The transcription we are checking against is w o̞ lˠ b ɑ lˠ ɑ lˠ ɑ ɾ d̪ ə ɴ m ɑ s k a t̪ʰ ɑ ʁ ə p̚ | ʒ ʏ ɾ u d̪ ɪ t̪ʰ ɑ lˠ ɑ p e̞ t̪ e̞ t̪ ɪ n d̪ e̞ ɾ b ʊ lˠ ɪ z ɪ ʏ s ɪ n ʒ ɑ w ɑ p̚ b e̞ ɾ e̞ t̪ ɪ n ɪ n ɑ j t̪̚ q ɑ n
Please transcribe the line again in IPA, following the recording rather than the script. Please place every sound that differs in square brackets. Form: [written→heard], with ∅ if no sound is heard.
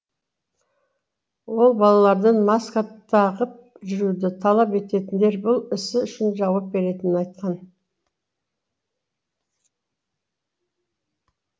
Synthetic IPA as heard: w o̞ lˠ b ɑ lˠ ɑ lˠ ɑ ɾ d̪ ə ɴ m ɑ s k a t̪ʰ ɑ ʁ ə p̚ | ʒ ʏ ɾ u d̪ ɪ t̪ʰ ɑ lˠ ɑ p e̞ t̪ e̞ t̪ ɪ n d̪ e̞ ɾ b ʊ lˠ ɪ [z→s] ɪ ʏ [s→ʃ] ɪ n ʒ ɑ w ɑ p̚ b e̞ ɾ e̞ t̪ ɪ n ɪ n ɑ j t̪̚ q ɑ n